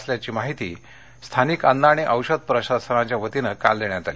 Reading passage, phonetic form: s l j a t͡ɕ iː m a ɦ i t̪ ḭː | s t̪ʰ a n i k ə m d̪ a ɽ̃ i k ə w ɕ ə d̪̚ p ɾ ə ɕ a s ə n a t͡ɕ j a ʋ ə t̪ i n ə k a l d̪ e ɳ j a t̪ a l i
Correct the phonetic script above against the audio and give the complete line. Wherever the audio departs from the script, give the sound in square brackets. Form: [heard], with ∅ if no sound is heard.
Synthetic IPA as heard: s l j a t͡ɕ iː m a ɦ i t̪ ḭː | s t̪ʰ a n i k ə [n] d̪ a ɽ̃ i [ʔ] ə w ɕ ə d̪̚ p ɾ ə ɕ a s ə n a t͡ɕ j a ʋ ə t̪ i n ə k a l d̪ e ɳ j a t̪ a l i